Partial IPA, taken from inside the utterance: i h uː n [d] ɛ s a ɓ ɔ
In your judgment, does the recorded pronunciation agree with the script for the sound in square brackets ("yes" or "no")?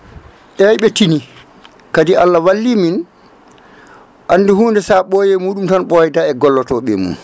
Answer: yes